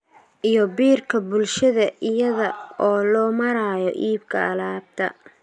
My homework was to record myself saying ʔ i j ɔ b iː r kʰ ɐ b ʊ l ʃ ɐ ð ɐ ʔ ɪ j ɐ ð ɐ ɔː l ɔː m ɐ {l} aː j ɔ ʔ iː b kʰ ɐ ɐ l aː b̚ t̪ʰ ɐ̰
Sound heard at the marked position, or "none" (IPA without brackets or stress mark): ɾ